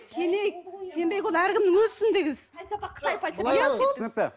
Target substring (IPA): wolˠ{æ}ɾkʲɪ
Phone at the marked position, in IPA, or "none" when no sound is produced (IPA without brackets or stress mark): æ